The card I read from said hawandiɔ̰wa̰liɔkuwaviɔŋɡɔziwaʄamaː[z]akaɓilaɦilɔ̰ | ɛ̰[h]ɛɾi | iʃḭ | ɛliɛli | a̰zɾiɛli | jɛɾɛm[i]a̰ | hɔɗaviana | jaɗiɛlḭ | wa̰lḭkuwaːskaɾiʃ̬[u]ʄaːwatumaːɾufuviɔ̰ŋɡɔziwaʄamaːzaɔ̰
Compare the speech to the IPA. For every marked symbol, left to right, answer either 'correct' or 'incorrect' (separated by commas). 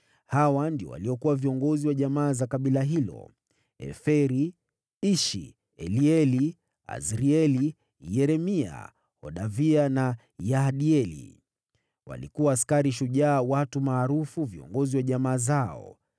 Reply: correct, incorrect, correct, correct